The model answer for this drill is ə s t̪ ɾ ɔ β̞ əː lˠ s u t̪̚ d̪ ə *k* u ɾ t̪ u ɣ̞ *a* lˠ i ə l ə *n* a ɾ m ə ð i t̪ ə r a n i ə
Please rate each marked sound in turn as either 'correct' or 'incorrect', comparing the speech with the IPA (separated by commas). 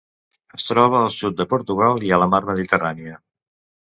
incorrect, correct, incorrect